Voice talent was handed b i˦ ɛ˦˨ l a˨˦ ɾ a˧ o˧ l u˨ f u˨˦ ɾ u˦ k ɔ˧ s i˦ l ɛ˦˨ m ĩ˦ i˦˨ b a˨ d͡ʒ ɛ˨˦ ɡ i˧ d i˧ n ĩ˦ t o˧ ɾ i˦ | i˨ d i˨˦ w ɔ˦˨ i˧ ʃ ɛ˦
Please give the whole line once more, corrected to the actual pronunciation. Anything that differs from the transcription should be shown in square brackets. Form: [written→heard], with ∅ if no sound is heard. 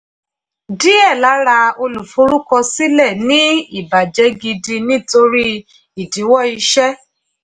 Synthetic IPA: [b→d] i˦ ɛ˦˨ l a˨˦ ɾ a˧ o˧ l u˨ f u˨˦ ɾ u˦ k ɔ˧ s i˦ l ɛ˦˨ [m→n] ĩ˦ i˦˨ b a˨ d͡ʒ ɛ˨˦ ɡ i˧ d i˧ n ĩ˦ t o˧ ɾ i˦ | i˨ d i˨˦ w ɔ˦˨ i˧ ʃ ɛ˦